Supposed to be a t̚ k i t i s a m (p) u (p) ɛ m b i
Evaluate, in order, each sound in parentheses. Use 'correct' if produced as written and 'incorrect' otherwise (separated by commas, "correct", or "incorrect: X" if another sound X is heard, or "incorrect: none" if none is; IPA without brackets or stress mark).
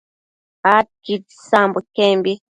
incorrect: b, incorrect: k